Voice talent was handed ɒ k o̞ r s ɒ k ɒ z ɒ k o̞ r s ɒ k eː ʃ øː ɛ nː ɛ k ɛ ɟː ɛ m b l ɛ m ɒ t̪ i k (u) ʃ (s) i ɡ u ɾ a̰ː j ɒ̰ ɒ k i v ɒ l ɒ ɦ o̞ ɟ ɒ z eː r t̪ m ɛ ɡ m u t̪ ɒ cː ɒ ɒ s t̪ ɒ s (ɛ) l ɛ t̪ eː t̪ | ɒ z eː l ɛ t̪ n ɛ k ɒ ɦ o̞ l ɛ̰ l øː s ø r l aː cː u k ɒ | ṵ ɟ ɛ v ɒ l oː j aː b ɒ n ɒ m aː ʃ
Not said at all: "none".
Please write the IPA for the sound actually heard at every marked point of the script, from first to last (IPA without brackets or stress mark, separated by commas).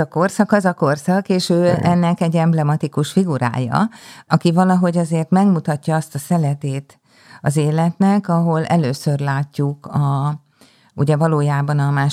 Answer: u, f, ɛ